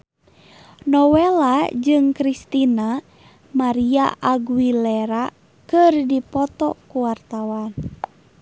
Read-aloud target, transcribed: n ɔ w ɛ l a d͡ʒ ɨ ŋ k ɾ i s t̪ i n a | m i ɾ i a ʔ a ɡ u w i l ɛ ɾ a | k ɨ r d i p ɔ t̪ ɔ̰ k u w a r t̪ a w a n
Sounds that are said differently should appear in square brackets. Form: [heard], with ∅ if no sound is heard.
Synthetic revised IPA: n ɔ w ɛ l a d͡ʒ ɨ ŋ k ɾ i s t̪ i n a | m [a] ɾ i a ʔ a ɡ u w i l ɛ ɾ a | k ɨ r d i p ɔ t̪ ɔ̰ k u w a r t̪ a w a n